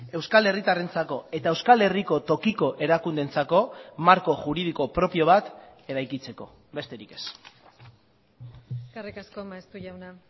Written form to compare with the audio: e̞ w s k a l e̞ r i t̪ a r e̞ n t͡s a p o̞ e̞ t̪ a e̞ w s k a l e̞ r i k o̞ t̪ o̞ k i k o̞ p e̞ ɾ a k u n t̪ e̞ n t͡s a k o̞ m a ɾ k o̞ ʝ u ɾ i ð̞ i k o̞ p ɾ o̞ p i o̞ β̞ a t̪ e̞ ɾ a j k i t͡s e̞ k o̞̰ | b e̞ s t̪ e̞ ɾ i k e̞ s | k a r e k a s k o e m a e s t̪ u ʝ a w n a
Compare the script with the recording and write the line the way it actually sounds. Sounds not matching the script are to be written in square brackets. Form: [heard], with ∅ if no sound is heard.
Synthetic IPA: e̞ w s k a l e̞ r i t̪ a r e̞ n t͡s a [k] o̞ e̞ t̪ a e̞ w s k a l e̞ r i k o̞ t̪ o̞ k i k o̞ [ʔ] e̞ ɾ a k u n [d̪] e̞ n t͡s a k o̞ m a ɾ k o̞ ʝ u ɾ i ð̞ i k o̞ p ɾ o̞ p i o̞ β̞ a t̪ e̞ ɾ a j k i t͡s e̞ k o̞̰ | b e̞ s t̪ e̞ ɾ i k e̞ s | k a r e k a s k o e m a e s t̪ u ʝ a w n a